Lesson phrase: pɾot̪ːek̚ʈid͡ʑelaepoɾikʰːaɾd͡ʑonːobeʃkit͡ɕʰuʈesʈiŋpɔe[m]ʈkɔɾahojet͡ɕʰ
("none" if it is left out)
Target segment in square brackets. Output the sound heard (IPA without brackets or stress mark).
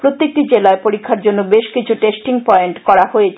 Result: ɳ